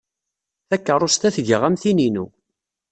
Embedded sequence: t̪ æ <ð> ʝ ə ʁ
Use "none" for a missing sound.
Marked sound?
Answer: θ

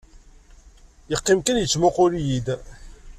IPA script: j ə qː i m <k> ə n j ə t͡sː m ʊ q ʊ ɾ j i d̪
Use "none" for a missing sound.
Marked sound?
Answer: k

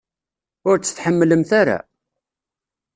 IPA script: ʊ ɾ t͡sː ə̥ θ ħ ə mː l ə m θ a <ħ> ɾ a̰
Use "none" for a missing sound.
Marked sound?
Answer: none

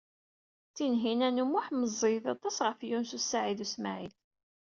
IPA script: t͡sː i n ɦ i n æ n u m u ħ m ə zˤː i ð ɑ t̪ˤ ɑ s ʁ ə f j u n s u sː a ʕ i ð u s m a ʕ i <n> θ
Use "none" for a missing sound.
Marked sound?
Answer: none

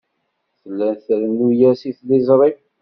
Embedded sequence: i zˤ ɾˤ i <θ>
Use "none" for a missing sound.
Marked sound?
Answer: none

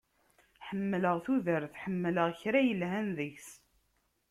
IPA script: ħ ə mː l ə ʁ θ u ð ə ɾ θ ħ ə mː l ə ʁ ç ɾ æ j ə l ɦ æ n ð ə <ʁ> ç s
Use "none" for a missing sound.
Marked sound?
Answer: none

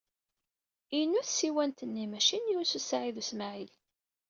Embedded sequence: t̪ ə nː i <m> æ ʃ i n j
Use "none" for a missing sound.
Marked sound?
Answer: m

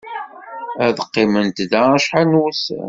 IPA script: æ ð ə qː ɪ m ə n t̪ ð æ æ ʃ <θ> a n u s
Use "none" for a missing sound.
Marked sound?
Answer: ħ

